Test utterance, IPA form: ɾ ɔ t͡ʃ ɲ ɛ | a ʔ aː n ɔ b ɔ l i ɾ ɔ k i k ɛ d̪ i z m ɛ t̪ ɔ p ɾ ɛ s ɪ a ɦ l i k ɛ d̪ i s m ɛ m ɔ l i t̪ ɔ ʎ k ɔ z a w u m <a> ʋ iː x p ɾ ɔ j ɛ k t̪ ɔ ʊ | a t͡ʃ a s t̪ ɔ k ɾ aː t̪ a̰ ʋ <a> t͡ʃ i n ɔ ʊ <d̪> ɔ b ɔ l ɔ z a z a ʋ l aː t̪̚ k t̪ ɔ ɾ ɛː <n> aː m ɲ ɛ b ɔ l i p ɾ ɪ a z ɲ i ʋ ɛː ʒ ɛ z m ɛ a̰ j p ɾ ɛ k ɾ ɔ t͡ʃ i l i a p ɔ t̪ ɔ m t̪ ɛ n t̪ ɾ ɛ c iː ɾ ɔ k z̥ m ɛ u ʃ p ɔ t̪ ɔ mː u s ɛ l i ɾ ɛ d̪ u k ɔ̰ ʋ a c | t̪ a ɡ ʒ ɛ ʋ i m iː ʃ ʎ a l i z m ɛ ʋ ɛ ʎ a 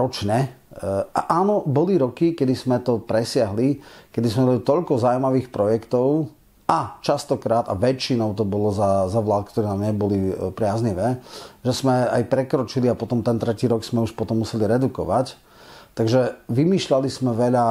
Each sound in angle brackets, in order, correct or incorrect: correct, incorrect: ɛ, incorrect: t̪, correct

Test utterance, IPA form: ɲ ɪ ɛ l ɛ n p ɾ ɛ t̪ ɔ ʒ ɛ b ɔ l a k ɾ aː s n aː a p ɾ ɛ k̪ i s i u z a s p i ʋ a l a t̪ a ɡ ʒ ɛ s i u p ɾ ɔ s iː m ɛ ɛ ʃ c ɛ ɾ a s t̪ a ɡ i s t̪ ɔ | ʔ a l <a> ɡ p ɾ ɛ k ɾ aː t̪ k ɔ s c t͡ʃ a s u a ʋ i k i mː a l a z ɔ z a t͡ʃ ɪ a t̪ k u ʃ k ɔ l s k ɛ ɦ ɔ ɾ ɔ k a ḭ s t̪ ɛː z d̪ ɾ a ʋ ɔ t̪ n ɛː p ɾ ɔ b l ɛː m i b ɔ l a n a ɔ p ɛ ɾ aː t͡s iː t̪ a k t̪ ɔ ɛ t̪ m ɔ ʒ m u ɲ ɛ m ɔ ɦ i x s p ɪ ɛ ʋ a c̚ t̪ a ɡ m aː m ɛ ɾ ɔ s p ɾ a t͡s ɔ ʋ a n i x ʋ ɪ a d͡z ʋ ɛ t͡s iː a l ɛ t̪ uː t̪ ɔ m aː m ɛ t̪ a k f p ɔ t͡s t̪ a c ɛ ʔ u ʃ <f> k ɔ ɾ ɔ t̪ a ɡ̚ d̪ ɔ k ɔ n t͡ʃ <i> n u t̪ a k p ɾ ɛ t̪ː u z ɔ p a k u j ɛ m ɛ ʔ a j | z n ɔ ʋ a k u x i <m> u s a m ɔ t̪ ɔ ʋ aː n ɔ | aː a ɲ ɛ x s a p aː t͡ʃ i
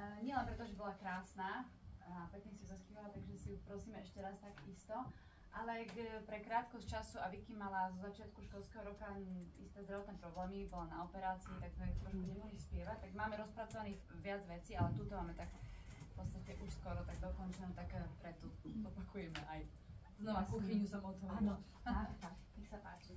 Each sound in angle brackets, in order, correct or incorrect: incorrect: ɛ, incorrect: s, incorrect: ɛ, incorrect: ɲ

